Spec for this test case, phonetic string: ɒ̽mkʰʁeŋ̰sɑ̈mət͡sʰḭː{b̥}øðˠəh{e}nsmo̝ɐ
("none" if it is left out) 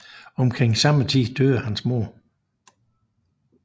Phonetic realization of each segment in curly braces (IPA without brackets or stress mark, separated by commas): d̥, æ